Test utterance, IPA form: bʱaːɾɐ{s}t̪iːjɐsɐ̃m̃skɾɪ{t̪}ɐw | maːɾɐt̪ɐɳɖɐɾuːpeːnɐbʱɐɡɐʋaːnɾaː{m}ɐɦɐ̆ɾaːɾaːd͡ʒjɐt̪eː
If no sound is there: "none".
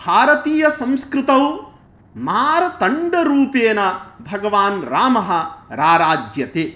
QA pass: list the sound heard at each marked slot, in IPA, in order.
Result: none, t̪, m

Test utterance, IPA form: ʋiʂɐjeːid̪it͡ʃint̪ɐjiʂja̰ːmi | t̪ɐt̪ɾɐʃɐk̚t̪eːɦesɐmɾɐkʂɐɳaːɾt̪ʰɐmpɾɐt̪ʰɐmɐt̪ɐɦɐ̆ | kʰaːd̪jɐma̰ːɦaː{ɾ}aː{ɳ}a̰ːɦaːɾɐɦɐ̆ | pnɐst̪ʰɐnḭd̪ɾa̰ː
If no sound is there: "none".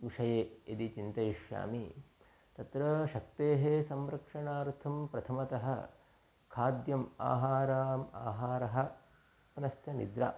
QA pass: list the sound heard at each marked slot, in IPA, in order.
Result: ɾ, m

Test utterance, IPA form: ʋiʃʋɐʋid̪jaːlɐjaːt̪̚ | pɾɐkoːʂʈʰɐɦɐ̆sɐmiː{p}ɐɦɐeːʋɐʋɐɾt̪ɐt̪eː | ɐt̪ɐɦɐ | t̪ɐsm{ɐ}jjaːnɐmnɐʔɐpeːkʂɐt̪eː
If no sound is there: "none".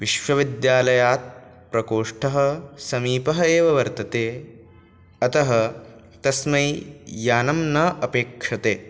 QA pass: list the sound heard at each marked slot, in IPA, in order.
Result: p, ɐ

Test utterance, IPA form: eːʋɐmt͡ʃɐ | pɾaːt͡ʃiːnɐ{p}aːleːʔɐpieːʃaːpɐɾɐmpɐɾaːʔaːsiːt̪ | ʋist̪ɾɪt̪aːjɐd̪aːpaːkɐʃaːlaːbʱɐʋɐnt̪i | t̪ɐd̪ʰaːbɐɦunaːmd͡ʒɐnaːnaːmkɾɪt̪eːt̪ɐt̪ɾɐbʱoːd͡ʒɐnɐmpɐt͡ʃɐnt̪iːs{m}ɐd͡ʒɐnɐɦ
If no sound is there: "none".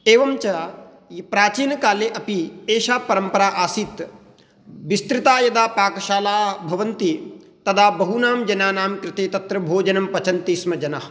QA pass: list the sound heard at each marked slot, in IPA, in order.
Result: k, m

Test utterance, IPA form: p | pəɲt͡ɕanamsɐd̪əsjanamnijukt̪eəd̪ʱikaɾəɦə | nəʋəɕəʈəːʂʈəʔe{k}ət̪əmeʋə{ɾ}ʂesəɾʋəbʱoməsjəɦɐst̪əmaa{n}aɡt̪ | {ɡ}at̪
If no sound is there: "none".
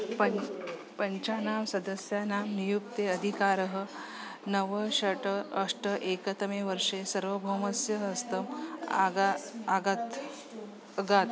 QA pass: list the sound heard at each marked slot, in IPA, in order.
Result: k, ɾ, none, ɡ

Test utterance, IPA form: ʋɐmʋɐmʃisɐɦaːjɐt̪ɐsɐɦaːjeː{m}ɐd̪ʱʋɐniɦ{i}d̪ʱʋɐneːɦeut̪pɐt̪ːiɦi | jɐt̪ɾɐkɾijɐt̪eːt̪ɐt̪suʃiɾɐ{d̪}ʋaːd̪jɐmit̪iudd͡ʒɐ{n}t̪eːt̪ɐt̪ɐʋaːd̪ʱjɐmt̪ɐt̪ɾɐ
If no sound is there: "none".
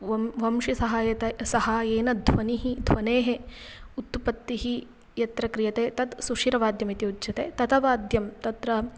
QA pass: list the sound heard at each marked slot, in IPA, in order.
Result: n, i, none, none

